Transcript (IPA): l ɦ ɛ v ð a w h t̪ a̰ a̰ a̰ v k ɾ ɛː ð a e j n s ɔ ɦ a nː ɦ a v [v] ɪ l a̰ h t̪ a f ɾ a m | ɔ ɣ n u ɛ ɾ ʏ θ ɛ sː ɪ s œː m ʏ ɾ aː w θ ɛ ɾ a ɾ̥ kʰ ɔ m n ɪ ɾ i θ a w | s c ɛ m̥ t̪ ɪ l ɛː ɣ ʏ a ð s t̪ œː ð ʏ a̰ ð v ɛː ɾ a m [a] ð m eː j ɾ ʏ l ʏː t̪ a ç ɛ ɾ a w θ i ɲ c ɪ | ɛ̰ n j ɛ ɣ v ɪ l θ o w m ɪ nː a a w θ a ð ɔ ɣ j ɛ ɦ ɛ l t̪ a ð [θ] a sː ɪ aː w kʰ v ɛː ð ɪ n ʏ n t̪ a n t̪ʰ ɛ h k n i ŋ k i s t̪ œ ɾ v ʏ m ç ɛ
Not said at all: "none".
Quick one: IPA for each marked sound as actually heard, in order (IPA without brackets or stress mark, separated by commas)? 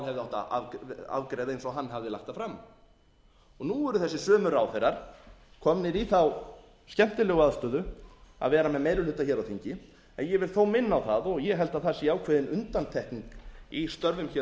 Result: ð, ɛ, θ